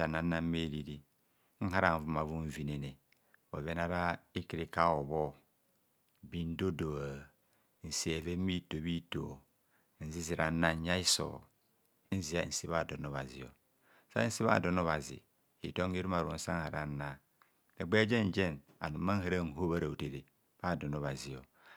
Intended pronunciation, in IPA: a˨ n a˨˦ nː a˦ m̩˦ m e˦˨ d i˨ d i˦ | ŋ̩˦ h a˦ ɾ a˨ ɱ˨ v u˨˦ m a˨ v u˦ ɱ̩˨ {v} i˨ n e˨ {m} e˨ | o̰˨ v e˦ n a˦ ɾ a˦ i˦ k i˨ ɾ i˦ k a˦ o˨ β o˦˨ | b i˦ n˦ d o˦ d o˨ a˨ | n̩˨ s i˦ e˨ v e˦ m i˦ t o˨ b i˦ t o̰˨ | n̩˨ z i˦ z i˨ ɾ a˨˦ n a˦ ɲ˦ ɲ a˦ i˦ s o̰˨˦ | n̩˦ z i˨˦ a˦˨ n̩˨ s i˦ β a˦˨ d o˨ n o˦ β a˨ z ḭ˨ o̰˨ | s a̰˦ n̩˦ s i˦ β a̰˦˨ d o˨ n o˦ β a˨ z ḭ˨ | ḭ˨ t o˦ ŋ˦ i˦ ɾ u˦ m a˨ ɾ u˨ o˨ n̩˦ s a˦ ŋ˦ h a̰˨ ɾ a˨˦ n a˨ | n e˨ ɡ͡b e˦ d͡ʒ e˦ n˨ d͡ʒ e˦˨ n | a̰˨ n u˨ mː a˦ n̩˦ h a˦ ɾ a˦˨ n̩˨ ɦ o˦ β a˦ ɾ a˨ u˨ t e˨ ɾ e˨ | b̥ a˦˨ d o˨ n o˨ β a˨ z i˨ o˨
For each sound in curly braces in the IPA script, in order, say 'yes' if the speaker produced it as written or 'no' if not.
yes, no

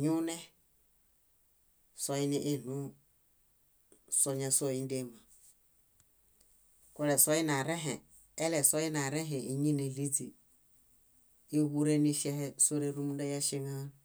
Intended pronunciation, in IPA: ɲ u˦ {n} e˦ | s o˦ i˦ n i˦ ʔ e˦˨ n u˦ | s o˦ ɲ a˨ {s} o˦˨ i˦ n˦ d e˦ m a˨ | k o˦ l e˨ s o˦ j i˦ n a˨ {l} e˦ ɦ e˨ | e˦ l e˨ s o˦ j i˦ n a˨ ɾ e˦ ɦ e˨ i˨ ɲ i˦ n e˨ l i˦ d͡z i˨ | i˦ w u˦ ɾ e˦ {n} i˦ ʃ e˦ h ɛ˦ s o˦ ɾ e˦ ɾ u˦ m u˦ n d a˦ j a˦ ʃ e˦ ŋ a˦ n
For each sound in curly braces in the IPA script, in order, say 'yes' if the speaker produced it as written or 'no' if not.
yes, yes, no, yes

